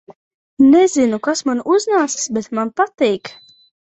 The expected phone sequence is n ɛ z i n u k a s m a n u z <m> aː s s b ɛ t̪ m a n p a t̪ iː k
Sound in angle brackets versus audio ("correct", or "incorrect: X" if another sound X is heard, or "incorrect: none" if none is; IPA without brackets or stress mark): incorrect: n